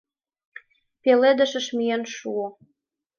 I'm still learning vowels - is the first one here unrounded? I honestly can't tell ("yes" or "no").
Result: yes